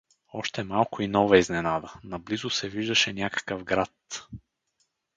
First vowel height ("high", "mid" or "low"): mid